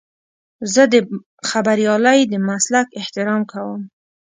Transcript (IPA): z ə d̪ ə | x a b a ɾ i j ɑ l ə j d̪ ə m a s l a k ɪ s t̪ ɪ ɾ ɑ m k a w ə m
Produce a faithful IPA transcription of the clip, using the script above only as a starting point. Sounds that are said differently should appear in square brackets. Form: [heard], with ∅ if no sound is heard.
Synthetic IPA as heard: z ə d̪ ə | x a b a ɾ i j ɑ l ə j d̪ ə m a s l a k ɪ [h] t̪ ɪ ɾ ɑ m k a w ə m